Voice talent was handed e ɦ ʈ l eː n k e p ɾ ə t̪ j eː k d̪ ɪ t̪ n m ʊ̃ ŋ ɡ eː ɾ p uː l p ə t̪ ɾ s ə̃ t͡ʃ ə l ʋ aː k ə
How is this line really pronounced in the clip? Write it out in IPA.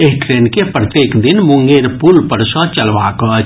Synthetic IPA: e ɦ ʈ ɾ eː n k e p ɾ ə t̪ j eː k d̪ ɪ n m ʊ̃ ŋ ɡ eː ɾ p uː l p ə ɾ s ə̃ t͡ʃ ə l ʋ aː k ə